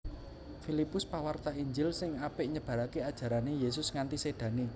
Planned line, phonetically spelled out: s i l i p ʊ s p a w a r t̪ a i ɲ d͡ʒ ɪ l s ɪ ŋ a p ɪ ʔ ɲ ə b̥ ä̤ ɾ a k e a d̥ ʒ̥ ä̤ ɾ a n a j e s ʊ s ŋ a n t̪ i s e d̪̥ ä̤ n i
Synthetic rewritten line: f i l i p ʊ s p a w a r t̪ a i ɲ d͡ʒ ɪ l s ɪ ŋ a p ɪ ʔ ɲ ə b̥ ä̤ ɾ a k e a d̥ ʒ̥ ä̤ ɾ a n e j e s ʊ s ŋ a n t̪ i s e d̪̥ ä̤ n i